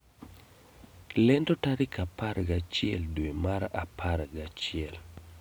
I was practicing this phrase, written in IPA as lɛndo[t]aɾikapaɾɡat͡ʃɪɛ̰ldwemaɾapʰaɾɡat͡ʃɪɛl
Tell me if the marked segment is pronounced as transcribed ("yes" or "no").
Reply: yes